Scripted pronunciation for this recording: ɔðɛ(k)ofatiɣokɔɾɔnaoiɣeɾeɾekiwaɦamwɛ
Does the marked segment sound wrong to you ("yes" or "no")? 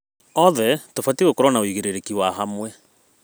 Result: yes